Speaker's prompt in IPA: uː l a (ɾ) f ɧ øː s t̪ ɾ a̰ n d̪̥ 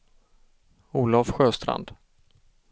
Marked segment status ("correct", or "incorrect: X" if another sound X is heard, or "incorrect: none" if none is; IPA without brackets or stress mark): incorrect: none